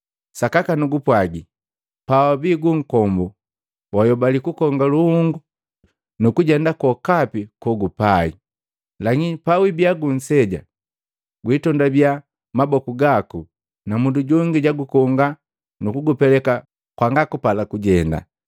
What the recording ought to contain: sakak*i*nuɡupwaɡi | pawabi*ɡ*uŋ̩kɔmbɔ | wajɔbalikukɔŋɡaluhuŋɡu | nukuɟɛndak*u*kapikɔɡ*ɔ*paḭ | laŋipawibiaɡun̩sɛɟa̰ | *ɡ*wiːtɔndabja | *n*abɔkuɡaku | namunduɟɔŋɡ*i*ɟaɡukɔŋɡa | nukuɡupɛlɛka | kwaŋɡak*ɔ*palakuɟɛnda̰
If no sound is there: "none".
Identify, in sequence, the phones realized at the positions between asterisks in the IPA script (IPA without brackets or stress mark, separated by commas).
a, ɡ, ɔ, u, ɡ, m, i, u